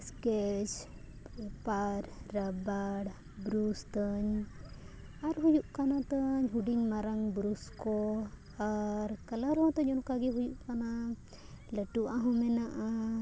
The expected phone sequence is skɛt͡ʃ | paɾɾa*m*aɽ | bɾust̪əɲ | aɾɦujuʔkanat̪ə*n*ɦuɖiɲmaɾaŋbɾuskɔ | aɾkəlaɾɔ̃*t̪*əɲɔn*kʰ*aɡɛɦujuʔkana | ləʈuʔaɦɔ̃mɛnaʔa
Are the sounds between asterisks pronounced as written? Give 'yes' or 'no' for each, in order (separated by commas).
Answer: no, no, yes, no